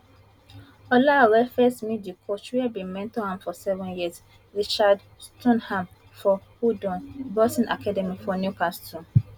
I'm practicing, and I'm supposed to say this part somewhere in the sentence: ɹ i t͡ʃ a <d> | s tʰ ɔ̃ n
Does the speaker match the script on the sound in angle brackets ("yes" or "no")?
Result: yes